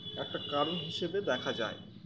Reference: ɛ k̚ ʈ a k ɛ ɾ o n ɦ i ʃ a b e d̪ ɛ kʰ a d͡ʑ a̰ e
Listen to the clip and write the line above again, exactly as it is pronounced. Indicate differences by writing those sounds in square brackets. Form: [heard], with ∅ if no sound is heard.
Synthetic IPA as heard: ɛ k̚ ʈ a k [a] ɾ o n ɦ i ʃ [e] b e d̪ ɛ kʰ a d͡ʑ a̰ e